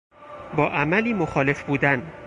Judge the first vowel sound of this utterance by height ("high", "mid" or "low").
low